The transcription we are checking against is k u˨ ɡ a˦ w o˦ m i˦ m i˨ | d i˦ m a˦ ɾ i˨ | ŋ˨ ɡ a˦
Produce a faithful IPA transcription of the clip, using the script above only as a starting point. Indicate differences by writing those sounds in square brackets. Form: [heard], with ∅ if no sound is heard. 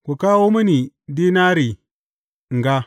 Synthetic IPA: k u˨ [k] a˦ w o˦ m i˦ [n] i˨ | d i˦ [n] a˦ ɾ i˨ | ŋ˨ ɡ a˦